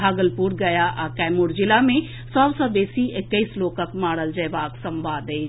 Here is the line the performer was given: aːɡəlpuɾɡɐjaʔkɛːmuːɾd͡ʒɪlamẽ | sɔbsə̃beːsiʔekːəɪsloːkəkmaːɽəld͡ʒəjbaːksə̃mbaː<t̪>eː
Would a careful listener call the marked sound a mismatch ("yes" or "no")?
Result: yes